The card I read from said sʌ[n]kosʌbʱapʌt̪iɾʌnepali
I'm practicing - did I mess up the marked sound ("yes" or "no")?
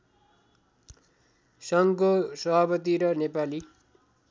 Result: yes